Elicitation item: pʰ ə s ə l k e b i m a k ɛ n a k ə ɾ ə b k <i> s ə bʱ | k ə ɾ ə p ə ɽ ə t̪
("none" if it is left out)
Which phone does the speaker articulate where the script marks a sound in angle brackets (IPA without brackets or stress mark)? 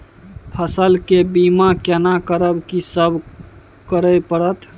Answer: i